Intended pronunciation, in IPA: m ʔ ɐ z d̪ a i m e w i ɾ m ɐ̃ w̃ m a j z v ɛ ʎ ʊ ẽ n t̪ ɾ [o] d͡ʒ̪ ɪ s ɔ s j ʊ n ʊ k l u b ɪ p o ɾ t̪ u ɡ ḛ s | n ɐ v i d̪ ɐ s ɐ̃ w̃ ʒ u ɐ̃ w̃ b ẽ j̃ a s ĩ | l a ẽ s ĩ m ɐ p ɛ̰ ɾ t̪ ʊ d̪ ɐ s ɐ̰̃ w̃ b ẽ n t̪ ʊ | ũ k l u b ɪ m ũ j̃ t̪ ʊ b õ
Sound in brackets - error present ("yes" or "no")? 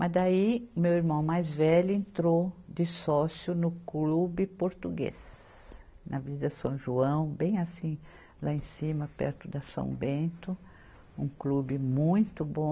no